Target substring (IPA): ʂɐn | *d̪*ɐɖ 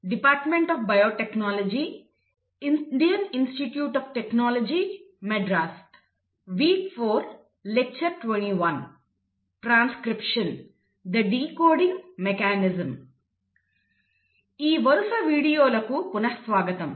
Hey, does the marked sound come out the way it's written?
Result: yes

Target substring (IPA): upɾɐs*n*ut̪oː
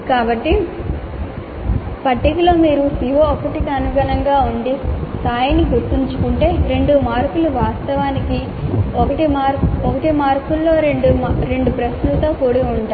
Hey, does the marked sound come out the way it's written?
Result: yes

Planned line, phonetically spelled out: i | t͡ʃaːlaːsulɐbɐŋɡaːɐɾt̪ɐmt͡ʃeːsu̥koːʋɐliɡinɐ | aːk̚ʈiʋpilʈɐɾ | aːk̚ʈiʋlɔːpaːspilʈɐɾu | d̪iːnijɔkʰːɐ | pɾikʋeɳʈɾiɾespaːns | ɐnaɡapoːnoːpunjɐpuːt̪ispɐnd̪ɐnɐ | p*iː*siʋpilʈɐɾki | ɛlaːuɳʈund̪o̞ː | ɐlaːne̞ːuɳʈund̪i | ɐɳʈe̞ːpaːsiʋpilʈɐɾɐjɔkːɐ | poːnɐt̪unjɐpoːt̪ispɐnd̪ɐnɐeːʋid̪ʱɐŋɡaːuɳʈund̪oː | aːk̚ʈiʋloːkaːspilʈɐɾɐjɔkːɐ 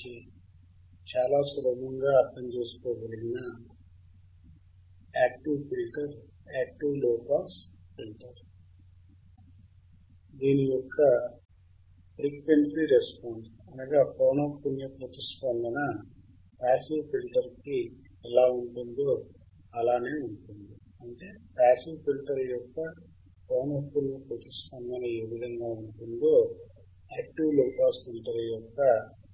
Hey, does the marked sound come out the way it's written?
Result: no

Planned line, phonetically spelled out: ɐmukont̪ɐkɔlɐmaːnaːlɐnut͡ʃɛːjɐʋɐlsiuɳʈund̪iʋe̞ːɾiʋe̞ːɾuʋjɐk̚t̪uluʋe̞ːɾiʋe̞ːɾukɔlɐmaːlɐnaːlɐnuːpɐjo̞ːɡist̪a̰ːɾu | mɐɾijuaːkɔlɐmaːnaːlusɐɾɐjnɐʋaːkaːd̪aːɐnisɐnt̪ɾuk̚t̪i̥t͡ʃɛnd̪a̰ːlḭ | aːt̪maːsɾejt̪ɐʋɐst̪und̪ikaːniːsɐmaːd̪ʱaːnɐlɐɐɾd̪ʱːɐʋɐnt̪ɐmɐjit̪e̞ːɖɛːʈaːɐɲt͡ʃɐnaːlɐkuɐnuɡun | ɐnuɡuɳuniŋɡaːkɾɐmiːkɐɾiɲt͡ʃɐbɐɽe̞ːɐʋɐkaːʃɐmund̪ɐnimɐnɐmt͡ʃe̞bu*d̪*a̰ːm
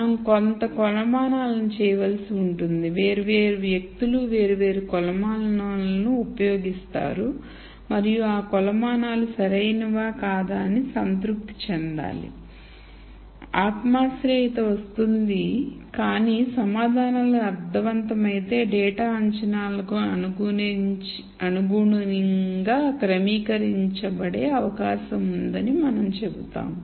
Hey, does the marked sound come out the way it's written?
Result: no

